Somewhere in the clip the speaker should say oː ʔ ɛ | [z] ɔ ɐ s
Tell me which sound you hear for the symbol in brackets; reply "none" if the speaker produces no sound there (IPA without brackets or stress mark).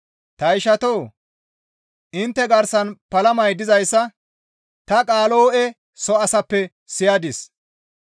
s